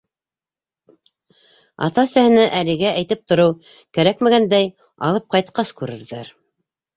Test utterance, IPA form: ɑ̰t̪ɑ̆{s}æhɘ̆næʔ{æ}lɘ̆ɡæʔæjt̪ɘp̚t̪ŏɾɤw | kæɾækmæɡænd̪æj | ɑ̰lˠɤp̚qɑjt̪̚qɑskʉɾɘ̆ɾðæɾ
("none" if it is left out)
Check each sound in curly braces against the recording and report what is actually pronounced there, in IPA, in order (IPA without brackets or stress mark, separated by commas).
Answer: s, æ